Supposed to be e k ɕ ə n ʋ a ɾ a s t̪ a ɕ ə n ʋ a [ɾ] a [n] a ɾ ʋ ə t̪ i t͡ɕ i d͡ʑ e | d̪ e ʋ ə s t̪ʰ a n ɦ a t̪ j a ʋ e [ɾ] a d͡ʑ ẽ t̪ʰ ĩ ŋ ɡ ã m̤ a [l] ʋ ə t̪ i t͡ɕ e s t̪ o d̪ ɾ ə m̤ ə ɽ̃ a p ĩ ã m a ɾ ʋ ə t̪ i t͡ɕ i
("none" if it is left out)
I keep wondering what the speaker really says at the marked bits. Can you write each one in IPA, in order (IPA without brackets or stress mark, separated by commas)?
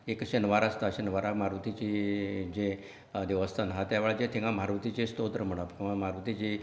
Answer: ɾ, m, ɭ, ɾ